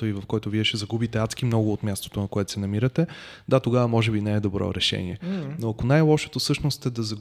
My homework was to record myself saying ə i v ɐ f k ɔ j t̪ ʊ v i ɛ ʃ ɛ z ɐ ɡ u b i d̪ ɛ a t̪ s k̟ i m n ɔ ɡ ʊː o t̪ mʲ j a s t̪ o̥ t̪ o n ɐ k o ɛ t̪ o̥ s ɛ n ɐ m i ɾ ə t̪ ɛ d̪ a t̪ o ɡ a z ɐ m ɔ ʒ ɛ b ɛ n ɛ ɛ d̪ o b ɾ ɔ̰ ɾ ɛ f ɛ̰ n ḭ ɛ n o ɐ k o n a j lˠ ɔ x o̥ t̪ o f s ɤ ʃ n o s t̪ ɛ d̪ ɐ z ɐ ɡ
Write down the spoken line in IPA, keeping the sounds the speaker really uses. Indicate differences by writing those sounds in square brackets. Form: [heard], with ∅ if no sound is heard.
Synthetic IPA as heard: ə i v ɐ f k ɔ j t̪ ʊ v i ɛ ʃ ɛ z ɐ ɡ u b i [t̪] ɛ a t̪ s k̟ i m n ɔ ɡ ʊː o t̪ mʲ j a s t̪ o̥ t̪ o n ɐ k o ɛ t̪ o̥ s ɛ n ɐ m i ɾ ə t̪ ɛ d̪ a t̪ o ɡ a [v] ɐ m ɔ ʒ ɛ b [i] n ɛ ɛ d̪ o b ɾ ɔ̰ ɾ ɛ [ʃ] ɛ̰ n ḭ ɛ n o ɐ k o n a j lˠ ɔ [ʃ] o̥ t̪ o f s ɤ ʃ n o s t̪ ɛ d̪ ɐ z ɐ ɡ